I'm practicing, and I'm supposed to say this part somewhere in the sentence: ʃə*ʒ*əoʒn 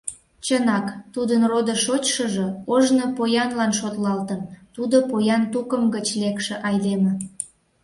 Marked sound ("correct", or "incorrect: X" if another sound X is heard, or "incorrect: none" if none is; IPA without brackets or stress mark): correct